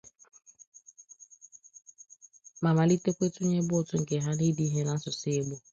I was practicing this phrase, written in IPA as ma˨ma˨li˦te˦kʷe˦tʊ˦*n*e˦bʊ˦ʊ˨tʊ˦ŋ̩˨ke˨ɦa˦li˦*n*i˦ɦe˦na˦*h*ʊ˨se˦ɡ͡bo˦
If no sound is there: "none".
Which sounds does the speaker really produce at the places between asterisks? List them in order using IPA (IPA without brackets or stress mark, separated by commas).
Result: ɲ, d, s